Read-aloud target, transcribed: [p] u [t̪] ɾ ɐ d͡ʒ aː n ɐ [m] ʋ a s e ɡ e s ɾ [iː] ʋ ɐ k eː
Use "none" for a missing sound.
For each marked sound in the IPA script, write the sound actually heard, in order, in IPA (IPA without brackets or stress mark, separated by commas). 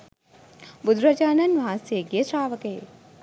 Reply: b, d̪, n, aː